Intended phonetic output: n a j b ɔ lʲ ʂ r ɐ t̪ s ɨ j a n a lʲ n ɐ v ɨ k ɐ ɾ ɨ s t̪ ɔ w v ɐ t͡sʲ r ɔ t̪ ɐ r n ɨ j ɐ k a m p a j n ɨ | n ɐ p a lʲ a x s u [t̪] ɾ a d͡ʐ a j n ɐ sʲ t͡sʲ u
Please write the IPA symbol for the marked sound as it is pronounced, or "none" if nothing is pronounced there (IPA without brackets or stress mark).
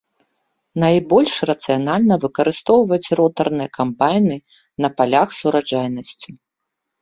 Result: none